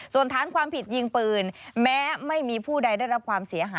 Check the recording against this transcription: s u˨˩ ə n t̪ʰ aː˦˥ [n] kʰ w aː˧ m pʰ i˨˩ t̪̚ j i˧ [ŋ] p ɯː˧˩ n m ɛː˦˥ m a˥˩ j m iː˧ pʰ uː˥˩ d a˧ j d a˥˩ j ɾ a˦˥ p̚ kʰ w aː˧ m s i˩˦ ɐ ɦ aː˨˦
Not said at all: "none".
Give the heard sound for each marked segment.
n, ŋ

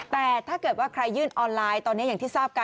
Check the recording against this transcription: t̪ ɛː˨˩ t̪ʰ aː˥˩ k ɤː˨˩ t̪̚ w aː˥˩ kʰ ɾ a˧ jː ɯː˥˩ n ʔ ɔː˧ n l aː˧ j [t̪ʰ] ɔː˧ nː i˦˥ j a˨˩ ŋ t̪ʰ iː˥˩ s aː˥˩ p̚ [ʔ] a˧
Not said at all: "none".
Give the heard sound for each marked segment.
t̪, k

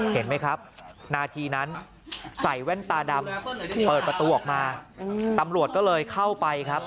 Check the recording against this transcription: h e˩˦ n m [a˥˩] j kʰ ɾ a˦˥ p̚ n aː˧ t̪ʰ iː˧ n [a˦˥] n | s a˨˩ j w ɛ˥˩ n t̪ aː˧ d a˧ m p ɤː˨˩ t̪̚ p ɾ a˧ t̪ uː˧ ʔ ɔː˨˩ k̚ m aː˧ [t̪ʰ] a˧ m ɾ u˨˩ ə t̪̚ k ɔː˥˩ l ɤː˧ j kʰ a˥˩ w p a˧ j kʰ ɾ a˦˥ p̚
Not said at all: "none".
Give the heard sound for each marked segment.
a˦˥, a˦˥, t̪

